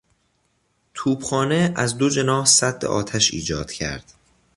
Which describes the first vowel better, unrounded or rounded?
rounded